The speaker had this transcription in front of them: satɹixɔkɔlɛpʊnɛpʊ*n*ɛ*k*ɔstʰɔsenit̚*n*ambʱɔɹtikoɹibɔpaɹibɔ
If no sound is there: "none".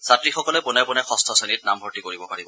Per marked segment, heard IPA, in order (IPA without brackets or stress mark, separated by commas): n, x, n